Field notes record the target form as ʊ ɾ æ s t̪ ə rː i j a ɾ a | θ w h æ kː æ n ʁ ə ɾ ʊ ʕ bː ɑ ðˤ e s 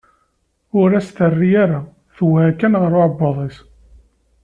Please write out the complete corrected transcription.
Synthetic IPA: ʊ ɾ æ s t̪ ə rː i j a ɾ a | θ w h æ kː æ n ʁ ə ɾ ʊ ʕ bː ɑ ðˤ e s